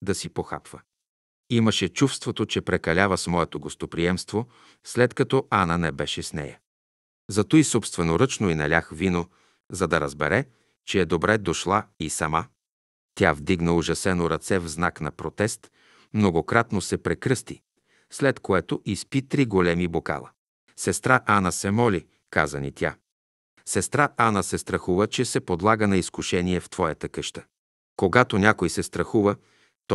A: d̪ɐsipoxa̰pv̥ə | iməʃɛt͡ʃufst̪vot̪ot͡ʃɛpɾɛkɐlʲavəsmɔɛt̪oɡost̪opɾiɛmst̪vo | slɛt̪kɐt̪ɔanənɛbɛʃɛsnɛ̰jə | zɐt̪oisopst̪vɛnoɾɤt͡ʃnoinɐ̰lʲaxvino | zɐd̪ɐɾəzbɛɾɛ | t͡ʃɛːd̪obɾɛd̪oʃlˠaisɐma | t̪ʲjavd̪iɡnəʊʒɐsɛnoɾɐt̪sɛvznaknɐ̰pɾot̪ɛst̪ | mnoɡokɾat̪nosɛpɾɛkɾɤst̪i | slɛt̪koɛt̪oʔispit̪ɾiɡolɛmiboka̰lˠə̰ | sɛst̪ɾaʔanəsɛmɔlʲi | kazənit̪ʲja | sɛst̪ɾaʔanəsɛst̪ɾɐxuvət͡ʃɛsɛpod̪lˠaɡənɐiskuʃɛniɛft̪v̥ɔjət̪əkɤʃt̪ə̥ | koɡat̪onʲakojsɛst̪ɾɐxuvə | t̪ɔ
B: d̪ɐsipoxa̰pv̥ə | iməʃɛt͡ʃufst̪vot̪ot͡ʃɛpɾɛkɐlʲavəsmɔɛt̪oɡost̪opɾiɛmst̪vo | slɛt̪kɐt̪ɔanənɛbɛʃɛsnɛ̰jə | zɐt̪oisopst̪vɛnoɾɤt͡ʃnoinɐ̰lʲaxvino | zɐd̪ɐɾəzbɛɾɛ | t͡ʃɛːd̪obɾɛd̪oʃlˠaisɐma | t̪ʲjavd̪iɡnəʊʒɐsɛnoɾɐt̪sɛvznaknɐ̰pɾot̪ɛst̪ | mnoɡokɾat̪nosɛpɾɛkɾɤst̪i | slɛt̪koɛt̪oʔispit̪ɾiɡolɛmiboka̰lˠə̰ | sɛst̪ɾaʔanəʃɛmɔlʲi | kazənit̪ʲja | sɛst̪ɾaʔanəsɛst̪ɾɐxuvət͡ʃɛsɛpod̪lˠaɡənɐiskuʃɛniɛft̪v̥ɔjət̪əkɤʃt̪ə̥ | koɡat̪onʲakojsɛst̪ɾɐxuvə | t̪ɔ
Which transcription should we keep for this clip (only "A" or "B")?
A